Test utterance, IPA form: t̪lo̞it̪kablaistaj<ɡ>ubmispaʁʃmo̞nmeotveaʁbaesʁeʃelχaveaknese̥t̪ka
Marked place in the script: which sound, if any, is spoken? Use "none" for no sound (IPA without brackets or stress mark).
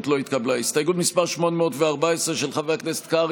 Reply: ɡ